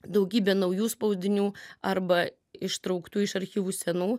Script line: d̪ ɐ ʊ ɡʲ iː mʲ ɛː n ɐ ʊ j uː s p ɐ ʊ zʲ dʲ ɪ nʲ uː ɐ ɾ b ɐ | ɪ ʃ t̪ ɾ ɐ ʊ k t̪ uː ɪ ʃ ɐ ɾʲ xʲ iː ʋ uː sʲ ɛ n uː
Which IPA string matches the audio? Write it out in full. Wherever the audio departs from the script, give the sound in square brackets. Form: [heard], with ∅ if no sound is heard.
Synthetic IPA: d̪ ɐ ʊ ɡʲ iː [bʲ] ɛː n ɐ ʊ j uː s p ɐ ʊ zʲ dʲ ɪ nʲ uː ɐ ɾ b ɐ | ɪ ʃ t̪ ɾ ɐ ʊ k t̪ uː ɪ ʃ ɐ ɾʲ xʲ iː ʋ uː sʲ ɛ n uː